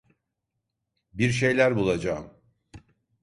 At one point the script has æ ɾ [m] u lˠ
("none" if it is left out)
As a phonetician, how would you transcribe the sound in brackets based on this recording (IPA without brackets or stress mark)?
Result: b